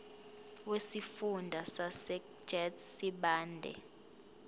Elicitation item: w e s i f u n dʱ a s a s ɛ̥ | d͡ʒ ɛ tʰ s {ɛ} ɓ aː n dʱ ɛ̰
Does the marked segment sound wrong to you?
yes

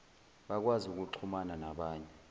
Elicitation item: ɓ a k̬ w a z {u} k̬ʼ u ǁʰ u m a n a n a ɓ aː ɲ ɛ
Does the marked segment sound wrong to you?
no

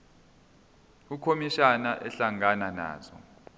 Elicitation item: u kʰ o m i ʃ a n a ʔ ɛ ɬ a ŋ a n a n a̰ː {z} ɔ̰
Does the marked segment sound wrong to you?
no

